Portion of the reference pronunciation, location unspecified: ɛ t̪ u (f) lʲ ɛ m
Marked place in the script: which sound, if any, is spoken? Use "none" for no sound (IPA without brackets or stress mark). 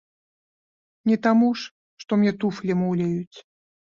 f